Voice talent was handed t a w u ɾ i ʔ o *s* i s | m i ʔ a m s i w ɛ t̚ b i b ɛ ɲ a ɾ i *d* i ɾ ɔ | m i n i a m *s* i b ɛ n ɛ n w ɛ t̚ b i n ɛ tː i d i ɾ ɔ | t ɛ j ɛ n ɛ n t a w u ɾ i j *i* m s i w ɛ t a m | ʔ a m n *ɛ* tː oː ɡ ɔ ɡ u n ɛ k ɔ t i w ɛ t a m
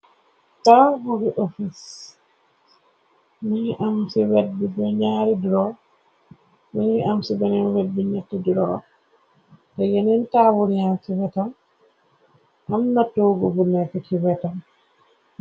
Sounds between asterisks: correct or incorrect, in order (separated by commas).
incorrect, correct, correct, incorrect, incorrect